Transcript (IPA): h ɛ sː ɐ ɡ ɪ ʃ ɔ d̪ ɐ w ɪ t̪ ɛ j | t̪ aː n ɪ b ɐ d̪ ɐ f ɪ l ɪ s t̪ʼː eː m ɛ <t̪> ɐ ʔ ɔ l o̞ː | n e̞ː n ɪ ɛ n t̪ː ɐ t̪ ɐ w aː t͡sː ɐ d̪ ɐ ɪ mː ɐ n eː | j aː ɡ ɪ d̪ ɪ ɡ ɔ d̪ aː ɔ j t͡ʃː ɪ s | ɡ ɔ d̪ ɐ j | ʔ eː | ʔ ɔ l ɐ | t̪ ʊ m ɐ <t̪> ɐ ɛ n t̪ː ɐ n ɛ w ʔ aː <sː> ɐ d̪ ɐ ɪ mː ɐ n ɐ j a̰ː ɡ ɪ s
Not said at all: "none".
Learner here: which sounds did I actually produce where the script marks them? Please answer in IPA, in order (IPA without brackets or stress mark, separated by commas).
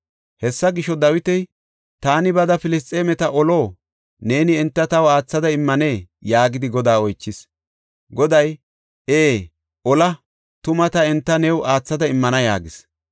t̪, t̪, t͡sː